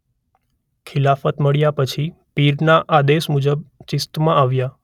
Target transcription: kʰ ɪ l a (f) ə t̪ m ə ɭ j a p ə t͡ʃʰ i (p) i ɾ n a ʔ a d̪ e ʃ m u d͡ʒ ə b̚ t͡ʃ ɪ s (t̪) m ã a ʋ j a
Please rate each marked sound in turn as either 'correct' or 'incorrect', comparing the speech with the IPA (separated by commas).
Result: correct, correct, correct